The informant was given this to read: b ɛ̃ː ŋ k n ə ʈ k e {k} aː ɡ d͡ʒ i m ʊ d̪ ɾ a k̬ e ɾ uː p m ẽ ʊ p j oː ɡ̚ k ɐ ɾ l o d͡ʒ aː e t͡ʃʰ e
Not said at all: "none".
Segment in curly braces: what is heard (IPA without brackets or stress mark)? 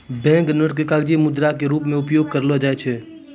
k